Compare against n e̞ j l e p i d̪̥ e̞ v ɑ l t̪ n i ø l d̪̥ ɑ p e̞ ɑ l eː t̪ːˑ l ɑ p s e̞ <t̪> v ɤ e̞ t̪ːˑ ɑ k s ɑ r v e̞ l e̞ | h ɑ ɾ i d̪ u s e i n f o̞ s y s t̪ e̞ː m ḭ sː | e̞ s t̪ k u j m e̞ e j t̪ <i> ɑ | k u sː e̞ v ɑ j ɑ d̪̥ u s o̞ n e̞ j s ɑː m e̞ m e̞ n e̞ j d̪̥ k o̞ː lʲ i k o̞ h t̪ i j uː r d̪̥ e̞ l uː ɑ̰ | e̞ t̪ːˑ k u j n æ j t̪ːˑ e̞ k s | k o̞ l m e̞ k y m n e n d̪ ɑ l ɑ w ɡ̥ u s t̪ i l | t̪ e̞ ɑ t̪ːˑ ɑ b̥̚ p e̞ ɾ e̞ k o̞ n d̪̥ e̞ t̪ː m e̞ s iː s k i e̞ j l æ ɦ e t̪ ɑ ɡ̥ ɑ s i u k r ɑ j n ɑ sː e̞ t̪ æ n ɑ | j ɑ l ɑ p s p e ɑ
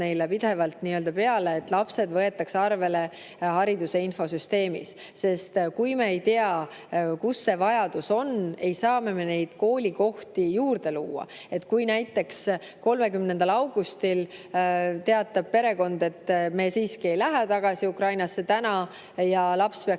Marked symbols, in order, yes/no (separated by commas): no, no